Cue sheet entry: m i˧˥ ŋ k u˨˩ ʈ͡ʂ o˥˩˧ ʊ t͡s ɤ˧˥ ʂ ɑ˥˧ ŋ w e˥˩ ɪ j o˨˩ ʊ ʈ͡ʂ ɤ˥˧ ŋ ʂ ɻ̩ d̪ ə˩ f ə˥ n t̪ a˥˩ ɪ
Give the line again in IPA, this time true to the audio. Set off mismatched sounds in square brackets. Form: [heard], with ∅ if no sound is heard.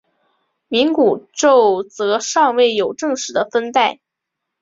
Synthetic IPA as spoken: m i˧˥ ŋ k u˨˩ ʈ͡ʂ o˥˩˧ ʊ t͡s ɤ˧˥ ʂ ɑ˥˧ ŋ w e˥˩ ɪ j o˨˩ ʊ ʈ͡ʂ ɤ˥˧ ŋ ʂ ɻ̩ d̪ [ə˧] f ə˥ n t̪ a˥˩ ɪ